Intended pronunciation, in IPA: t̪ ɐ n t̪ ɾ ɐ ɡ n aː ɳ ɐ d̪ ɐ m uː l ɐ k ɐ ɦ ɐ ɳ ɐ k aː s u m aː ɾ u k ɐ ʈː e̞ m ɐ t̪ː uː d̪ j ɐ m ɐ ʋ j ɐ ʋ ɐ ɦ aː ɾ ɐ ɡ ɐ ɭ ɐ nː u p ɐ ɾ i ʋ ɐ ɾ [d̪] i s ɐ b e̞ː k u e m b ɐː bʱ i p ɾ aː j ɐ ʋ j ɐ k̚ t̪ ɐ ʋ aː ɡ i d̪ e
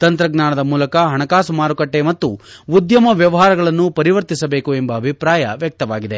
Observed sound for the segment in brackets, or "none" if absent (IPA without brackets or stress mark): t̪